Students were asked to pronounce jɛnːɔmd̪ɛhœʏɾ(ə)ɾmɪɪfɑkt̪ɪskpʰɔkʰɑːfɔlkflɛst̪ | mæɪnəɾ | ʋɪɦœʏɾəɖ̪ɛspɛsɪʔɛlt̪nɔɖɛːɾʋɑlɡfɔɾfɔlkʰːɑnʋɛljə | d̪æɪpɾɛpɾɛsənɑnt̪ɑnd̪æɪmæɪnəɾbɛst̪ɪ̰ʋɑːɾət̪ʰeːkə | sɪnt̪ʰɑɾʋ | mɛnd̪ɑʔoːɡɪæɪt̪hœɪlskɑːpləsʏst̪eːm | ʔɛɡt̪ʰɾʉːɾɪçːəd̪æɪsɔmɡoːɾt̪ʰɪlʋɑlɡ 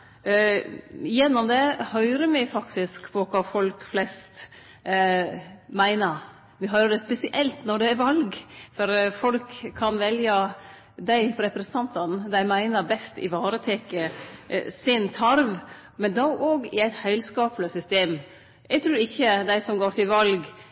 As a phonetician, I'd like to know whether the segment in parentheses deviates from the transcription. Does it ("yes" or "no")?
no